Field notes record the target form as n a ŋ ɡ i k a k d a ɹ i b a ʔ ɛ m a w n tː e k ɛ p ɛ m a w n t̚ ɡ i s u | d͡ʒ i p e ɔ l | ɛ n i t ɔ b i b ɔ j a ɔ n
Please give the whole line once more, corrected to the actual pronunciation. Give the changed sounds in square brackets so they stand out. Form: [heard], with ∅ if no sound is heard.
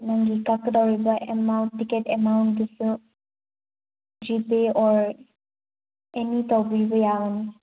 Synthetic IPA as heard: n a ŋ ɡ i k a k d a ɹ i b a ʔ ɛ m a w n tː [i] k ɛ [t] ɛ m a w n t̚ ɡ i s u | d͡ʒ i p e ɔ [ɹ] | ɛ n i t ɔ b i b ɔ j a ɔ n